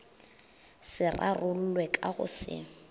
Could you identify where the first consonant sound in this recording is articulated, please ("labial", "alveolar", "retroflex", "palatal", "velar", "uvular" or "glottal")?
alveolar